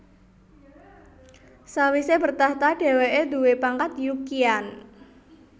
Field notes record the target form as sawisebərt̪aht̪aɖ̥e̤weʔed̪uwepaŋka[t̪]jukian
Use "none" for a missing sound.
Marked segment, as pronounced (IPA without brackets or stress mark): t̪